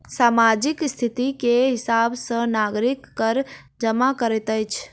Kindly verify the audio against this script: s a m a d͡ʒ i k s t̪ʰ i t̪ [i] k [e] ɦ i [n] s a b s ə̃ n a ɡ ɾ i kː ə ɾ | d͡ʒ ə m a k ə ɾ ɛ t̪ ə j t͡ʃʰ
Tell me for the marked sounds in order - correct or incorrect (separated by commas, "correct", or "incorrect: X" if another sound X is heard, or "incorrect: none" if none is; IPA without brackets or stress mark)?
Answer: correct, correct, incorrect: none